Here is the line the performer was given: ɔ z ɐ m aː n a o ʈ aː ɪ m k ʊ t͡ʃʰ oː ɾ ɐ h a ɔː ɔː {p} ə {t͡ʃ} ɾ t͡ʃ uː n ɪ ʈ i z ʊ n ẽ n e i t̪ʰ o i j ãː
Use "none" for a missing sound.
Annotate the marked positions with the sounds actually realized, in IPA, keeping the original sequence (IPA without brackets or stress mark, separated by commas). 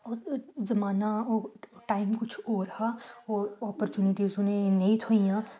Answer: p, none